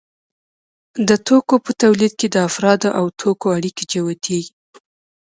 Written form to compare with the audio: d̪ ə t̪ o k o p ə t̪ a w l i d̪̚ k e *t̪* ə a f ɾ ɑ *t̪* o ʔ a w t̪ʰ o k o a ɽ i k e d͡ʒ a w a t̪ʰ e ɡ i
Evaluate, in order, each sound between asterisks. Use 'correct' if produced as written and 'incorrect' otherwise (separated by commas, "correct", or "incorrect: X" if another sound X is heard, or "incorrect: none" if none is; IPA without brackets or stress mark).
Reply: incorrect: d̪, incorrect: d̪